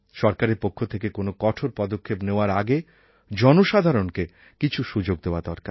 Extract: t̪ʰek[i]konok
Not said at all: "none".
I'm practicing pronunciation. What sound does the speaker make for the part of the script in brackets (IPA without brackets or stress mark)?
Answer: e